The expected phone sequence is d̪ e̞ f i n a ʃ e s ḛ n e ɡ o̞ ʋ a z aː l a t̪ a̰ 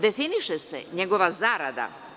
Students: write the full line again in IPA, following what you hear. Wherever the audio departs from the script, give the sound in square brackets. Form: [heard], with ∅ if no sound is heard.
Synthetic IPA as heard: d̪ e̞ f i n [i] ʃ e s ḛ [ɲ] e ɡ o̞ ʋ a z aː [ɾ] a [d̪] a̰